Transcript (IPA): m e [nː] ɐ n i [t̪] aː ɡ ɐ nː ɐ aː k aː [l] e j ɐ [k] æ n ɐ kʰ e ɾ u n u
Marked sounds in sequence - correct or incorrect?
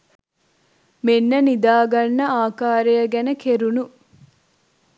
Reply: correct, incorrect: d̪, incorrect: ɾ, incorrect: ɡ

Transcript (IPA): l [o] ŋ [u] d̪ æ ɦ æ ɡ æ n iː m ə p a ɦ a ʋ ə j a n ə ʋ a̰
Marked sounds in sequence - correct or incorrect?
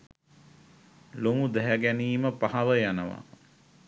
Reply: correct, correct

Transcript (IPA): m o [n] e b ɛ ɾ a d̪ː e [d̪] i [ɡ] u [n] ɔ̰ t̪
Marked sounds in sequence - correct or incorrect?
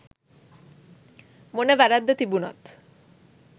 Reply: correct, incorrect: t̪, incorrect: b, correct

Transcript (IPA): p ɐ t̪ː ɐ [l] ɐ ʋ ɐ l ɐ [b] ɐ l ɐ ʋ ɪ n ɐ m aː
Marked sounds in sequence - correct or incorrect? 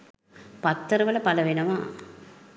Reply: incorrect: ɾ, incorrect: p

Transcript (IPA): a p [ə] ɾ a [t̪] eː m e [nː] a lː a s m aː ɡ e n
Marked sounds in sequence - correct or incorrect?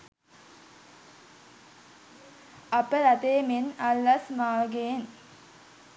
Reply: correct, correct, incorrect: n

